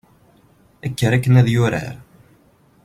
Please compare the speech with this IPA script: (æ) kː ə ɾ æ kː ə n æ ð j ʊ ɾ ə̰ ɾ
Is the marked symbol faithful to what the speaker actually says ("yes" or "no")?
yes